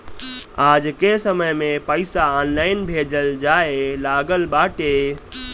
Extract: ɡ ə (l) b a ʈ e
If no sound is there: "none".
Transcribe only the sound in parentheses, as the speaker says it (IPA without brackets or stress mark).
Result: l